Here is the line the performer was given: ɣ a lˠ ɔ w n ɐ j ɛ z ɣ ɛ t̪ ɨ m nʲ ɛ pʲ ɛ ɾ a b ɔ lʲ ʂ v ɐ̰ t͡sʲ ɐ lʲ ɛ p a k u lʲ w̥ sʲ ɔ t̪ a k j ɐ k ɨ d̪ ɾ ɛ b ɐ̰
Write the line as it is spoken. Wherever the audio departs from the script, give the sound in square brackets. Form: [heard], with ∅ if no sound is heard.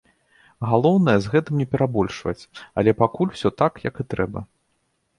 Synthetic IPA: ɣ a lˠ ɔ w n ɐ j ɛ z ɣ ɛ t̪ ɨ m nʲ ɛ pʲ ɛ ɾ a b ɔ lʲ ʂ v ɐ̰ t͡sʲ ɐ lʲ ɛ p a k u lʲ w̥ sʲ ɔ t̪ a k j ɐ k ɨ [t̪] ɾ ɛ b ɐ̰